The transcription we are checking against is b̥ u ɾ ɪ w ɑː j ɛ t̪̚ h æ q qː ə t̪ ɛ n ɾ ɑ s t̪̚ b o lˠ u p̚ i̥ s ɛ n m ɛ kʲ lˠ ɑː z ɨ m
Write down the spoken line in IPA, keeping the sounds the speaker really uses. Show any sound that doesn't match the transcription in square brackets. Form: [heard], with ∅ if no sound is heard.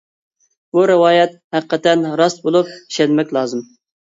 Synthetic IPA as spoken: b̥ u ɾ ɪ w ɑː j ɛ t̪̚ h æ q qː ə t̪ ɛ n ɾ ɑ s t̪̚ b o lˠ u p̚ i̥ [ʃ] ɛ n m ɛ kʲ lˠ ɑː z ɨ m

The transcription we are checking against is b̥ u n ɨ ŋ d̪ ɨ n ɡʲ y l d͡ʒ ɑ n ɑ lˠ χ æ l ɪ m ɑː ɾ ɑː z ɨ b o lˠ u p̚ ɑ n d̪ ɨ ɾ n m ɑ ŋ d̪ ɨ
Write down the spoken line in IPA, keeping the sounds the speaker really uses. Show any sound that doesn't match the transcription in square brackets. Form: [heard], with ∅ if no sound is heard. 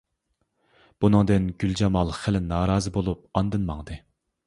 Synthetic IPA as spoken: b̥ u n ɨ ŋ d̪ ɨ n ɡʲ y l d͡ʒ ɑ [m] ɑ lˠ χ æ l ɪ [n] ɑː ɾ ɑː z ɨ b o lˠ u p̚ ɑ n d̪ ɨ [∅] n m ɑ ŋ d̪ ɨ

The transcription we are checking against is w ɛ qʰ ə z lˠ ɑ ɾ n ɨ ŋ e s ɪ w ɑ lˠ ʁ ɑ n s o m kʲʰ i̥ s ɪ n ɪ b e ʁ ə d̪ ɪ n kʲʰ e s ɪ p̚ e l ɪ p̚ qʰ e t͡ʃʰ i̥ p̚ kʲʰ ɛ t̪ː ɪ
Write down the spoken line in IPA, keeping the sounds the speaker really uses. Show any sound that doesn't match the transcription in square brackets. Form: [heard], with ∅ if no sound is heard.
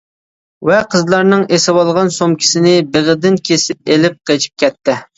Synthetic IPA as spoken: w ɛ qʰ ə z lˠ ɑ ɾ n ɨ ŋ e s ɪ w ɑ lˠ ʁ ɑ n s o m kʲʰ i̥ s ɪ n ɪ b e ʁ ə d̪ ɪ n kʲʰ e s ɪ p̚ e l ɪ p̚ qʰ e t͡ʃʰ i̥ p̚ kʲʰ ɛ t̪ː ɪ

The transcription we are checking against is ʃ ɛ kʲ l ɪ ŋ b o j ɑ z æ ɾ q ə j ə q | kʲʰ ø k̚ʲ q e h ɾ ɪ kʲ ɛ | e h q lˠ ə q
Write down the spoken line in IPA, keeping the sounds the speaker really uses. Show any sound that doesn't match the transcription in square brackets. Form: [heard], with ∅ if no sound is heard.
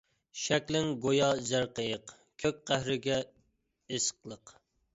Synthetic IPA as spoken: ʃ ɛ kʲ l ɪ ŋ [ɡ] o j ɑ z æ ɾ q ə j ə q | kʲʰ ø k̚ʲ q [æ] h ɾ ɪ [ɡʲ] ɛ | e [s] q lˠ ə q

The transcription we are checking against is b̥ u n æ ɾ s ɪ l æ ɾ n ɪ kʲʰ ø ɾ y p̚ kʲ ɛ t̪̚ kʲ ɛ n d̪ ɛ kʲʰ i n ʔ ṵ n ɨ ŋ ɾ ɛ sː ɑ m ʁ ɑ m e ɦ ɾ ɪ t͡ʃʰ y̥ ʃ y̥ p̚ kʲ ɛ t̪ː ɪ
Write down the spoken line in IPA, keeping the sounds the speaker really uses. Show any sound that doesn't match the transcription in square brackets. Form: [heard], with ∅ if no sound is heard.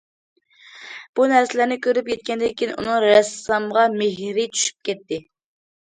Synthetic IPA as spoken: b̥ u n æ ɾ s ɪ l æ ɾ n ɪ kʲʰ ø ɾ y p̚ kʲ ɛ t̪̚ kʲ ɛ n d̪ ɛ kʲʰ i n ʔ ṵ n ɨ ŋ ɾ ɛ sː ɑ m ʁ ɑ m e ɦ ɾ ɪ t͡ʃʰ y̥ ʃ y̥ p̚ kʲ ɛ t̪ː ɪ

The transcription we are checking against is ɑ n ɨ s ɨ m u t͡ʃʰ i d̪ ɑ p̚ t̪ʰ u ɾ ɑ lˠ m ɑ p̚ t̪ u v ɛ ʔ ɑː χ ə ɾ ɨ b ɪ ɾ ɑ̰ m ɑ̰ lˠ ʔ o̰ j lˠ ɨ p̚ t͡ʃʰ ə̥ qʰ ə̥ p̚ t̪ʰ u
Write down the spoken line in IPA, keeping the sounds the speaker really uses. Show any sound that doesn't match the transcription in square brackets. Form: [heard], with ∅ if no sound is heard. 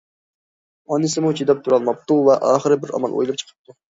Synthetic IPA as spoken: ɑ n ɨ s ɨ m u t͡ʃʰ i d̪ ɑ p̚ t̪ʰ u ɾ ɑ lˠ m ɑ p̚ t̪ u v ɛ ʔ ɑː χ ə ɾ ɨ b ɪ ɾ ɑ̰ m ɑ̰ lˠ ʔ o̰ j lˠ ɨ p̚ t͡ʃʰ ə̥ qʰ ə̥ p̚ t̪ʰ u

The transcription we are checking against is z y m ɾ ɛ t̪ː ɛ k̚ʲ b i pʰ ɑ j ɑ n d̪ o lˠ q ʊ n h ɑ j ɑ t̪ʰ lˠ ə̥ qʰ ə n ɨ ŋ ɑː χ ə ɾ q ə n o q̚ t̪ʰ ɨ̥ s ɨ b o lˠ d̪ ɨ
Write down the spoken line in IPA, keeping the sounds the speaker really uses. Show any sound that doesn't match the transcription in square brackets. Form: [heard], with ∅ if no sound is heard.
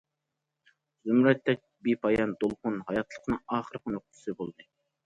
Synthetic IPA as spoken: z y m ɾ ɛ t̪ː ɛ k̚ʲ b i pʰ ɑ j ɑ n d̪ o lˠ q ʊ n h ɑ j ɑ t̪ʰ lˠ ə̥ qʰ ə n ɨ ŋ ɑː χ ə ɾ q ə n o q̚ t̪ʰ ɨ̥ s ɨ b o lˠ d̪ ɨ

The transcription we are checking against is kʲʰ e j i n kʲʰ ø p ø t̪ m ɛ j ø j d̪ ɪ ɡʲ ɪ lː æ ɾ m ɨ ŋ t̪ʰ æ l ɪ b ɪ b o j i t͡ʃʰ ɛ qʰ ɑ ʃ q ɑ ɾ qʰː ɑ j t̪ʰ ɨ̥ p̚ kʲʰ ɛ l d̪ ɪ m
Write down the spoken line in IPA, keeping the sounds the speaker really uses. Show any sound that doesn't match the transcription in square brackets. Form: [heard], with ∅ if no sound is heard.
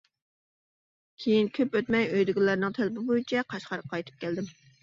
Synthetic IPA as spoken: kʲʰ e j i n kʲʰ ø p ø t̪ m ɛ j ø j d̪ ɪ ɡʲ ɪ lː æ ɾ [n] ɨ ŋ t̪ʰ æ l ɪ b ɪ b o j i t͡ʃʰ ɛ qʰ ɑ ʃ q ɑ ɾ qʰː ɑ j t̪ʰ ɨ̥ p̚ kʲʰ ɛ l d̪ ɪ m

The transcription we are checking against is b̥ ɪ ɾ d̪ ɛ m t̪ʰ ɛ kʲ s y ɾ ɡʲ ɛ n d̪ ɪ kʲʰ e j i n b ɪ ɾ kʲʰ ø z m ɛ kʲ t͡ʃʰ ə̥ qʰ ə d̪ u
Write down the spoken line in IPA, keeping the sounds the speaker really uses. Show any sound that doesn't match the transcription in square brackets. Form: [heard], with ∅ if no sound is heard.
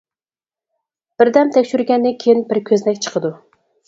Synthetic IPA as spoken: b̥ ɪ ɾ d̪ ɛ m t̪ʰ ɛ kʲ [ʃ] y ɾ ɡʲ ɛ n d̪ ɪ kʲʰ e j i n b ɪ ɾ kʲʰ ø z [n] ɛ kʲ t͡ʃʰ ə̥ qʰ ə d̪ u

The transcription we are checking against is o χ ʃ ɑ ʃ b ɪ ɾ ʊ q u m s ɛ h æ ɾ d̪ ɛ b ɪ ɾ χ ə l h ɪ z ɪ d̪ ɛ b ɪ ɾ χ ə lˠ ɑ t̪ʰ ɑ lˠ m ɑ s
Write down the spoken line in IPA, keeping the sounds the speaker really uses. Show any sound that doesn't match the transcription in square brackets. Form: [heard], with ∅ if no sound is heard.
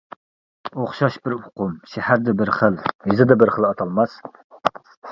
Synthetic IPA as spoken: o χ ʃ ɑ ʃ b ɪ ɾ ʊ q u m [ʃ] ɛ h æ ɾ d̪ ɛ b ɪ ɾ χ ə l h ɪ z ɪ d̪ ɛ b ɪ ɾ χ ə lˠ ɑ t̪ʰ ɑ lˠ m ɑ s

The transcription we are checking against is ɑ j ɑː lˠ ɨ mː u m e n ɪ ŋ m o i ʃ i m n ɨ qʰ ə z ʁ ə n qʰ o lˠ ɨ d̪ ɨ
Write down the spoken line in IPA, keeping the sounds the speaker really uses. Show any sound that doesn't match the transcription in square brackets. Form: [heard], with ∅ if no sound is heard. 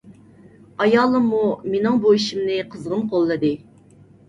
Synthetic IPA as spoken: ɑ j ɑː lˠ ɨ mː u m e n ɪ ŋ [b] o i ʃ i m n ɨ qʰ ə z ʁ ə n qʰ o [lˠː] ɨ d̪ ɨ

